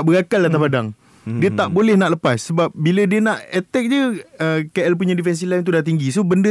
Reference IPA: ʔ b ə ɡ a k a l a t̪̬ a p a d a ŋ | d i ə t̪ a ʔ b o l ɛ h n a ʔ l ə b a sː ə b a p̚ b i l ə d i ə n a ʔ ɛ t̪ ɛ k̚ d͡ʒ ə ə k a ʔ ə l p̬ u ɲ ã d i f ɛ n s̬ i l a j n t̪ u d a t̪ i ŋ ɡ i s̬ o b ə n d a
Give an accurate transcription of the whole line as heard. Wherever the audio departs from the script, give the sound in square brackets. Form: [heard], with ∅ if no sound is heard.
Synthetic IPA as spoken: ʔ b ə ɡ a k a l a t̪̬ a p a d a ŋ | d i ə t̪ a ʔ b o l ɛ h n a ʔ l ə [p] a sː ə b a p̚ b i l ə d i ə n a ʔ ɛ t̪ ɛ k̚ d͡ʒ ə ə k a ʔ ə l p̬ u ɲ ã d i f ɛ n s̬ i l a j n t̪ u d a t̪ i ŋ ɡ i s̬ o b ə n d [ə]